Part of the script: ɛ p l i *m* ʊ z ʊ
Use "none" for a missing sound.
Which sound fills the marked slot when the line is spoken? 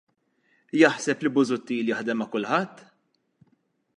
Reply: b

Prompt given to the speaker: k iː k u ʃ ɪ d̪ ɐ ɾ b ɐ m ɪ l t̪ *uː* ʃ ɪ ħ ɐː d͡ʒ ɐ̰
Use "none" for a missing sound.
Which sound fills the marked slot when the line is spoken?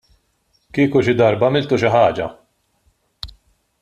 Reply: u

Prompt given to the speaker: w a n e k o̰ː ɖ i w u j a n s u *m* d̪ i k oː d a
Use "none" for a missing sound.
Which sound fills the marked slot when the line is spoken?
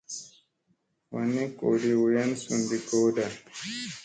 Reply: n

